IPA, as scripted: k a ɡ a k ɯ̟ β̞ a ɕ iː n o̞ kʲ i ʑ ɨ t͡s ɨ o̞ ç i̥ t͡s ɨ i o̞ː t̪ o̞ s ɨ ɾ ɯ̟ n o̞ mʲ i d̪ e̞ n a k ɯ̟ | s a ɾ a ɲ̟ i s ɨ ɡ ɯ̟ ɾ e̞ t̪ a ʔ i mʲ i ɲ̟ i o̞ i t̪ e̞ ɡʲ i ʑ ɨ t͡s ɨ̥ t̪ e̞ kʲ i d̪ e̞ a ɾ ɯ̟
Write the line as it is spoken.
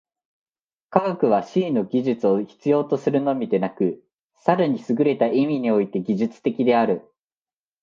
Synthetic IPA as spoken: k a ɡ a k ɯ̟ β̞ a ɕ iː n o̞ ɡʲ i ʑ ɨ t͡s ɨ o̞ ç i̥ t͡s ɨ j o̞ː t̪ o̞ s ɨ ɾ ɯ̟ n o̞ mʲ i d̪ e̞ n a k ɯ̟ | s a ɾ a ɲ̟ i s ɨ ɡ ɯ̟ ɾ e̞ t̪ a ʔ i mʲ i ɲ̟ i o̞ i t̪ e̞ ɡʲ i ʑ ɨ t͡s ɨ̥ t̪ e̞ kʲ i d̪ e̞ a ɾ ɯ̟